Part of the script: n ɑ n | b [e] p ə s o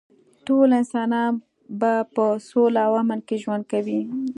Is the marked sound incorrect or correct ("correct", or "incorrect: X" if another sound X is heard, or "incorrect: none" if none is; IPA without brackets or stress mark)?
incorrect: a